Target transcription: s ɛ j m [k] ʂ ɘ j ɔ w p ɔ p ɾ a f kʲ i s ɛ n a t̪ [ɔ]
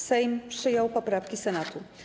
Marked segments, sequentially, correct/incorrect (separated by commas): incorrect, incorrect